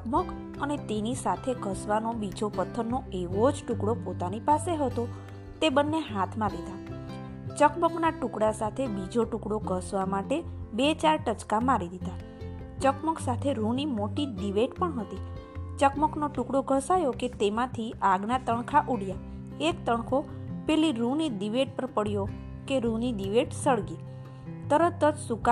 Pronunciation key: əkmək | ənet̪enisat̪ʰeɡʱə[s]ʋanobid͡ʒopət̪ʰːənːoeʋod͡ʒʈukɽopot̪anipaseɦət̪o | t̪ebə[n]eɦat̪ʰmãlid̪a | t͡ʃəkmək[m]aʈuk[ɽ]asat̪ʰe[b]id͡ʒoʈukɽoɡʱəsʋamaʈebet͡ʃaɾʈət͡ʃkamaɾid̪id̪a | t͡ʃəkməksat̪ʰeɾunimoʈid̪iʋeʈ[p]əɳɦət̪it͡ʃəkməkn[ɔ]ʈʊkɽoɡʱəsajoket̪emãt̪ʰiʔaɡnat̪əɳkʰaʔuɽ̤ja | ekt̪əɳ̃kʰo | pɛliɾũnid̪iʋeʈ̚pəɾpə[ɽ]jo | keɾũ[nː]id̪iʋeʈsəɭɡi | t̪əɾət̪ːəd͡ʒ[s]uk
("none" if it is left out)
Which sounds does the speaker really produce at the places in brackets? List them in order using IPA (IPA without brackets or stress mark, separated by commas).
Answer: s, nː, n, ɽ, b, p, o, ɽ, n, s